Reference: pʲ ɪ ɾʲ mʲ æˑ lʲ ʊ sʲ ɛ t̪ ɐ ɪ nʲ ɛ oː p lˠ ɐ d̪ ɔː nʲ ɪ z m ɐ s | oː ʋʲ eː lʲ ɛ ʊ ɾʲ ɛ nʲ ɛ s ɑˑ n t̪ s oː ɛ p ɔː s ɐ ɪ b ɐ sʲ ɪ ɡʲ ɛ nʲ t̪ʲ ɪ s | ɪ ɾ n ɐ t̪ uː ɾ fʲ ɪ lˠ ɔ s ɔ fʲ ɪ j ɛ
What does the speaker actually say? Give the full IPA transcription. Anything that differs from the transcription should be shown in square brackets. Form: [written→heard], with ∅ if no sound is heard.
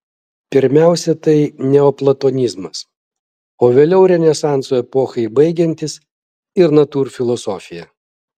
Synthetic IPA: pʲ ɪ ɾʲ mʲ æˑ [lʲ→∅] ʊ sʲ ɛ t̪ ɐ ɪ nʲ ɛ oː p lˠ ɐ [d̪→t̪] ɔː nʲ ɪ z m ɐ s | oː ʋʲ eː lʲ ɛ ʊ ɾʲ ɛ nʲ ɛ s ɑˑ n t̪ s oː ɛ p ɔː [s→x] ɐ ɪ b ɐ [sʲ→∅] ɪ ɡʲ ɛ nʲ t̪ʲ ɪ s | ɪ ɾ n ɐ t̪ uː ɾ fʲ ɪ lˠ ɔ s ɔ fʲ ɪ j ɛ